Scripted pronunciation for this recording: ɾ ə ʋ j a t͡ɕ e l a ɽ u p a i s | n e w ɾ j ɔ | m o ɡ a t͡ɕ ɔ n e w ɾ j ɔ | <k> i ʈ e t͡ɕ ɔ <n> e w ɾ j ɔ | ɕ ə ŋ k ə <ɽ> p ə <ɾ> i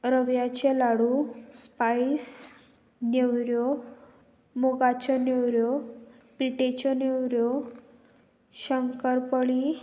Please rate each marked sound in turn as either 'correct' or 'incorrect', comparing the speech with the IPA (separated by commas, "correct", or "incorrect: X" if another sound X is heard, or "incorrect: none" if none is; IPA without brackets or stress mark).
incorrect: p, correct, incorrect: ɾ, incorrect: ɭ